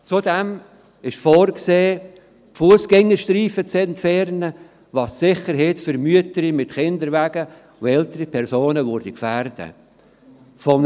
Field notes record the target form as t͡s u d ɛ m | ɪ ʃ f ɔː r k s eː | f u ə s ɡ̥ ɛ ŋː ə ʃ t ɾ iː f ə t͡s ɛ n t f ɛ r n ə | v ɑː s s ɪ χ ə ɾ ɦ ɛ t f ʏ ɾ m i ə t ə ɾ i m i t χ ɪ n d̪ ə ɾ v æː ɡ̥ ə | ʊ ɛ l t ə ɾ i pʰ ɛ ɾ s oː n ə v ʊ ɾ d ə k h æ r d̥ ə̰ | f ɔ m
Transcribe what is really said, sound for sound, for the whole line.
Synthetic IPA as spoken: t͡s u d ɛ m | ɪ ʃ f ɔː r k s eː | f u ə s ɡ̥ ɛ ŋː ə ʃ t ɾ iː f ə t͡s ɛ n t f ɛ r n ə | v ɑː s s ɪ χ ə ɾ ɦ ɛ t f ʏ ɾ m y ə t ə ɾ i m ɪ t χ ɪ n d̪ ə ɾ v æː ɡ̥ ə | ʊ ɛ l t ə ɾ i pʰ ɛ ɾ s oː n ə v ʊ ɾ d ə k f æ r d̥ ə̰ | f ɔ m

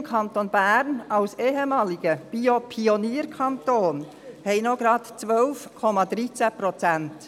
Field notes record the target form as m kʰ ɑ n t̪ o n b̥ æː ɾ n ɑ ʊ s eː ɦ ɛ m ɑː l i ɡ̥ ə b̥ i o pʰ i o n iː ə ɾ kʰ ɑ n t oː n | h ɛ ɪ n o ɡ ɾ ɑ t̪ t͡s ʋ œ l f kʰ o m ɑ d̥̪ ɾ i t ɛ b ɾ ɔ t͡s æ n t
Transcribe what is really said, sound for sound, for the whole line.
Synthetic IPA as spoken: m kʰ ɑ n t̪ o n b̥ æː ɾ n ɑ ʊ s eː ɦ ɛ m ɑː l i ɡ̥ ə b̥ i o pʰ i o n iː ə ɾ kʰ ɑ n t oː n | h ɛ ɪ n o ɡ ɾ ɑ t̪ t͡s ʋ œ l f kʰ ɔ m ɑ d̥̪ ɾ i t͡s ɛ p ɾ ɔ t͡s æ n t

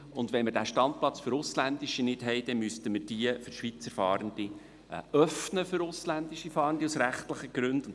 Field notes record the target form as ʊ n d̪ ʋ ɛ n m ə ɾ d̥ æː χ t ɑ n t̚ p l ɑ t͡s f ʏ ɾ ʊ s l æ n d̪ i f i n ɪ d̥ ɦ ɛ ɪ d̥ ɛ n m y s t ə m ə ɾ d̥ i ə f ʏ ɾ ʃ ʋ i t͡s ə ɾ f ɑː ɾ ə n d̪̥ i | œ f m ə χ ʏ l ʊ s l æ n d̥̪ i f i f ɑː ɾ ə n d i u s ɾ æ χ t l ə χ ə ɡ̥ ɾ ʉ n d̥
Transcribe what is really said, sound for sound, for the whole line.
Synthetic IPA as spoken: ʊ n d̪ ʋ ɛ n m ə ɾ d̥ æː ʃ t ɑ n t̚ p l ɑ t͡s f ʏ ɾ ʊ s l æ n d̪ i ʃ i n ɪ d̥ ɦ ɛ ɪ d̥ ɛ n m y s t ə m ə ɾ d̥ i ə f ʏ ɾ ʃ ʋ i t͡s ə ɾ f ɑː ɾ ə n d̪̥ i | œ f n ə f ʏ ɾ ʊ s l æ n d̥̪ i ʃ i f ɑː ɾ ə n d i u s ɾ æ χ t l ə χ ə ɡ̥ ɾ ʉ n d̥

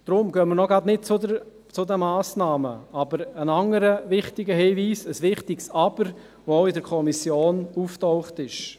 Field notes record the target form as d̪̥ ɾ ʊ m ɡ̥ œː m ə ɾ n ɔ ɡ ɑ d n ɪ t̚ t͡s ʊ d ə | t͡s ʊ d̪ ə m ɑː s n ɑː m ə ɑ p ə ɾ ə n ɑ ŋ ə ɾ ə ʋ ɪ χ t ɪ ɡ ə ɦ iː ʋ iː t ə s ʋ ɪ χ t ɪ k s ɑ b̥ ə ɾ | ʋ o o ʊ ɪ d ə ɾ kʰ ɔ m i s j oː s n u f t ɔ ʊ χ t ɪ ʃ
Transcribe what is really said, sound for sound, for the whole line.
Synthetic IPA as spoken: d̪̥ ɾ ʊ m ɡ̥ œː m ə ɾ n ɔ ɡ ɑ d n ɪ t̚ t͡s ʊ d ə | t͡s ʊ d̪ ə m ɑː s n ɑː m ə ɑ b ə ɾ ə n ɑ ŋ ə ɾ ə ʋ ɪ χ t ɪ ɡ ə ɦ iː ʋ iː s ə s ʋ ɪ χ t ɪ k s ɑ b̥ ə ɾ | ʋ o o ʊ ɪ d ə ɾ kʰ ɔ m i s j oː n u f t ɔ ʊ χ t ɪ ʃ

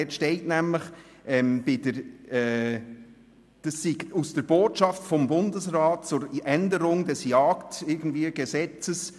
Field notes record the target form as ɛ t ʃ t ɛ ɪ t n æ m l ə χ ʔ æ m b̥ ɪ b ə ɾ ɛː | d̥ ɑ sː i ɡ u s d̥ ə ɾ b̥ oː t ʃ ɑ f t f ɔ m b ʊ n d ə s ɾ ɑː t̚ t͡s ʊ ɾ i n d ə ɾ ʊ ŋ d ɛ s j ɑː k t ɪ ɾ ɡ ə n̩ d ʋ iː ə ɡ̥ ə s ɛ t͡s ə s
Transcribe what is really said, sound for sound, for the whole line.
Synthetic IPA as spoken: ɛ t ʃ t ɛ ɪ t n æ m l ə χ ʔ ɛ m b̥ ɪ d ə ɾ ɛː | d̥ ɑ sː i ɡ u s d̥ ə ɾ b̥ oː t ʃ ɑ f t f ɔ m b ʊ n d ə s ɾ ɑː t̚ t͡s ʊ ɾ ɛ n d ə ɾ ʊ ŋ d ɛ s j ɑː k t ɪ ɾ ɡ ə n̩ d v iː ə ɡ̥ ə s ɛ t͡s ə s

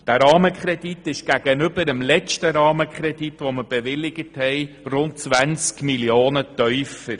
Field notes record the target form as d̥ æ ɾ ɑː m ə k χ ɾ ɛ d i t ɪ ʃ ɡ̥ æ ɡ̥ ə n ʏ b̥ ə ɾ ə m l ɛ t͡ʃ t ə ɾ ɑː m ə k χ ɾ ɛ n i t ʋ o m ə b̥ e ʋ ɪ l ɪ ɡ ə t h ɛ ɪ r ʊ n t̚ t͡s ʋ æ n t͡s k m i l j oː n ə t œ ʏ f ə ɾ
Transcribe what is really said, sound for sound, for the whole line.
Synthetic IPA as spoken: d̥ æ ɾ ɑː m ə k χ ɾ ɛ d i t ɪ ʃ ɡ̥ æ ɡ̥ ə n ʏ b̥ ə ɾ ə m l ɛ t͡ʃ t ə ɾ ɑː m ə k χ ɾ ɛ d i t ʋ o m ə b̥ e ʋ ɪ l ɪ ɡ ə t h ɛ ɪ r ʊ n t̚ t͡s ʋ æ n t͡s k m i l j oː n ə t œ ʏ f ə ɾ

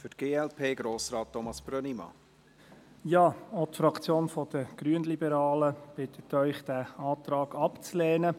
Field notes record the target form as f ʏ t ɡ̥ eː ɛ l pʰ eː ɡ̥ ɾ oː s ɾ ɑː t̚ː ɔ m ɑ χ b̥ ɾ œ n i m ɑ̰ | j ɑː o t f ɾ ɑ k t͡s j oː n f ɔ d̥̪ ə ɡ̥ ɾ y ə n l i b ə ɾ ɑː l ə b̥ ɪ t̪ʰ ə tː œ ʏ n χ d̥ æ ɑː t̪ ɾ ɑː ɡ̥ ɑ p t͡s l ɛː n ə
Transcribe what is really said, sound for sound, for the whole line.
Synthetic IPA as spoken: f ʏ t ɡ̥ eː ɛ l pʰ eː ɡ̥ ɾ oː s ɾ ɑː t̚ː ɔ m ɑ s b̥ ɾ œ n i m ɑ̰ | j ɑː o t f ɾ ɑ k t͡s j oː n f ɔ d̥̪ ə ɡ̥ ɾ y ə n l i b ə ɾ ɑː l ə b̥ ɪ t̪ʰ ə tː œ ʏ χ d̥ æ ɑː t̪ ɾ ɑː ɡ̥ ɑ p t͡s l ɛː n ə

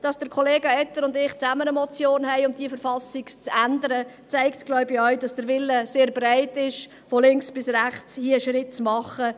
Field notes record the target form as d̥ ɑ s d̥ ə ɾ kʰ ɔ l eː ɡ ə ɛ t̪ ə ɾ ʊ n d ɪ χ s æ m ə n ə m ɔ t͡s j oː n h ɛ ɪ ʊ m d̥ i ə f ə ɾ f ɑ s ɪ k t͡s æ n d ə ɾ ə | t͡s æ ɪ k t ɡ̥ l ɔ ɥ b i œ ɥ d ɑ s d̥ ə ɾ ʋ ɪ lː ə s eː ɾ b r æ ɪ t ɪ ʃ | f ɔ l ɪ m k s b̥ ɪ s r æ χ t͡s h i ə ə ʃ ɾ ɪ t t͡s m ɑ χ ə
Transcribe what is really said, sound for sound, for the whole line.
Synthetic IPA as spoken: d̥ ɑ s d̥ ə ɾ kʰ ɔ l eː ɡ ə ɛ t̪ ə ɾ ʊ n d ɪ χ t͡s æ m ə n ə m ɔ t͡s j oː n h ɛ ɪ ʊ m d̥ i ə f ə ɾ f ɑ s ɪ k t͡s æ n d ə ɾ ə | t͡s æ ɪ k t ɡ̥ l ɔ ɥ b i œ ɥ d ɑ s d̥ ə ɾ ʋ ɪ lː ə s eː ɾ b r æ ɪ t ɪ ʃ | f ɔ l ɪ ŋ k s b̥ ɪ s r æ χ t͡s h i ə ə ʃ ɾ ɪ t t͡s m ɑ χ ə

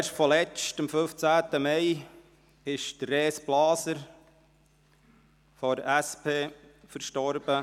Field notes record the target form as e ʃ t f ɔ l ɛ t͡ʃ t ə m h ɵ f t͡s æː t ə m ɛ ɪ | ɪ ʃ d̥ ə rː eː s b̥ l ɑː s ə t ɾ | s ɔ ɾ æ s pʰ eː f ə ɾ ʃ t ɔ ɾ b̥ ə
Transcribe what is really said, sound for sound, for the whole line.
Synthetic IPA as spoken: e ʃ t f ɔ l ɛ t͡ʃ t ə m f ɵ f t͡s æː t ə m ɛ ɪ | ɪ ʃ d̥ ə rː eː s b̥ l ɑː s ə ɾ | f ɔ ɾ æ s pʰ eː f ə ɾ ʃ t ɔ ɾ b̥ ə

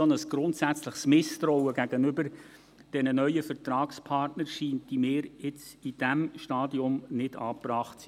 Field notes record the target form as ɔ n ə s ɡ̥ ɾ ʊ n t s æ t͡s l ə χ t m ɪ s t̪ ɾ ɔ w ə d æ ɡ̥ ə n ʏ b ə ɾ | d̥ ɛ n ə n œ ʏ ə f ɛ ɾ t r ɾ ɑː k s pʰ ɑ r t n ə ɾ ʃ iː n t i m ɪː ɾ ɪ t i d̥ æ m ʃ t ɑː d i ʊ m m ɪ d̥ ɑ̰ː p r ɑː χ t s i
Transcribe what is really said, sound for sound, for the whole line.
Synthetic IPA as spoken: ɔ n ə s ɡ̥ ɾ ʊ n t s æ t͡s l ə χ s m ɪ s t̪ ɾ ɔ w ə ɡ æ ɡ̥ ə n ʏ b ə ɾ | d̥ ɛ n ə n œ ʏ ə f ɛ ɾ t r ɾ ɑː k s pʰ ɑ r t n ə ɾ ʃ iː n t i m ɪː ɾ ɪ t͡s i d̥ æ m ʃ t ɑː d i ʊ m n ɪ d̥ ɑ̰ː p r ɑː χ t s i

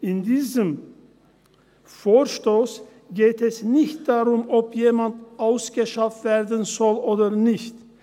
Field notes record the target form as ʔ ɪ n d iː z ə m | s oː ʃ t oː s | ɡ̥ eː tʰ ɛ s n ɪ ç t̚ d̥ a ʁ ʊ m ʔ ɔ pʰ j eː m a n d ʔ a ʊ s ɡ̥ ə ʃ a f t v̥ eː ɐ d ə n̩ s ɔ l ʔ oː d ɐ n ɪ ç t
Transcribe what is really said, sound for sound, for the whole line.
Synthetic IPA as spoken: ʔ ɪ n d iː z ə m | f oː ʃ t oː s | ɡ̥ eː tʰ ɛ s n ɪ ç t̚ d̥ a ʁ ʊ m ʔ ɔ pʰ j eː m a n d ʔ a ʊ s ɡ̥ ə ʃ a f t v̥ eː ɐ d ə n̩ z ɔ l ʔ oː d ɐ n ɪ ç t

